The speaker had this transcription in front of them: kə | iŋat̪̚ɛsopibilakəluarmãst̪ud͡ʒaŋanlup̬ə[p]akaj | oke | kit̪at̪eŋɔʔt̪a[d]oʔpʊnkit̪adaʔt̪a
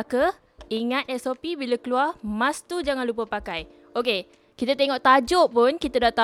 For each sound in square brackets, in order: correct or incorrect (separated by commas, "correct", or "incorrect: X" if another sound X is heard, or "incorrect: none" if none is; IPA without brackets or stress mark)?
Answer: correct, incorrect: d͡ʒ